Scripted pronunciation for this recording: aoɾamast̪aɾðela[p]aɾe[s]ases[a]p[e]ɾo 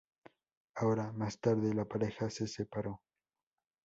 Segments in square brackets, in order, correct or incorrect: correct, incorrect: x, incorrect: e, incorrect: a

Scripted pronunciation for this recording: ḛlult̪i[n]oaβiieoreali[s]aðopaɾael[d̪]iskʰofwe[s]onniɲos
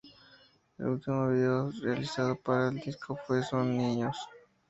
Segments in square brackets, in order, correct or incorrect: incorrect: m, correct, correct, correct

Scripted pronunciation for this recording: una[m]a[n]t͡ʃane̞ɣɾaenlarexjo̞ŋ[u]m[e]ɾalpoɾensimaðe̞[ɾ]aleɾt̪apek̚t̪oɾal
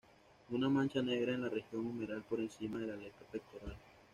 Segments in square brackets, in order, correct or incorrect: correct, correct, correct, correct, incorrect: l

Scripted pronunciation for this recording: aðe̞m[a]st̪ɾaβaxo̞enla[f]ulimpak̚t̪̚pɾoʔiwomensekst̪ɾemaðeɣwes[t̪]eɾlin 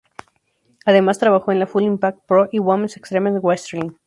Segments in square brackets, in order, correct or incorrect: correct, correct, correct

